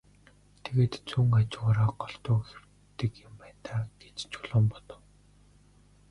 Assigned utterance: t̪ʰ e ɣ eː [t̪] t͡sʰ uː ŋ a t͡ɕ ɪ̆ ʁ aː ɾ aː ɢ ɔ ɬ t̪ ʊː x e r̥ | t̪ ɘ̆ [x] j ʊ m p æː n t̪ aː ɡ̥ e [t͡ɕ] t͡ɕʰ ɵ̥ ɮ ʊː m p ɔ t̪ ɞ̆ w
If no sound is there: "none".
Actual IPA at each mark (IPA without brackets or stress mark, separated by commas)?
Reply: t̪, k, t͡ɕ